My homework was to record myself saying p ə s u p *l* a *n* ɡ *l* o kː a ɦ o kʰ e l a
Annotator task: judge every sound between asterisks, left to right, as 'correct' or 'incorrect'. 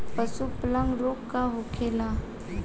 correct, incorrect: ŋ, incorrect: ɾ

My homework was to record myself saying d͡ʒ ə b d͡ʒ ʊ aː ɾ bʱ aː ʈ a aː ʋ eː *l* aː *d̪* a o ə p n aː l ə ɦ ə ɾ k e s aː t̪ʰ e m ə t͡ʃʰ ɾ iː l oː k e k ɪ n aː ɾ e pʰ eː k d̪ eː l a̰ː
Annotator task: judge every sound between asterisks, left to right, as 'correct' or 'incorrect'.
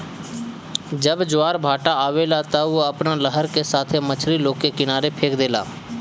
correct, incorrect: t̪

